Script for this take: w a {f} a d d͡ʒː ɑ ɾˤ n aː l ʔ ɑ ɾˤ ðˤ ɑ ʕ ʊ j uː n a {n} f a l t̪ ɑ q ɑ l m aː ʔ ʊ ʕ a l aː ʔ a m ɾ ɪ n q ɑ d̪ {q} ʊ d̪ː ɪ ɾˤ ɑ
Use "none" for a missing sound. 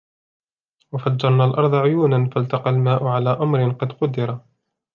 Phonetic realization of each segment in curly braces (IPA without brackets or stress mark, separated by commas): f, n, q